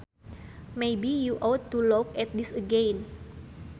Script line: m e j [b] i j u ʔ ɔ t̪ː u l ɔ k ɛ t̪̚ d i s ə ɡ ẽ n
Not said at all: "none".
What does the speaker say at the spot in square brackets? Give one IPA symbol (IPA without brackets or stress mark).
b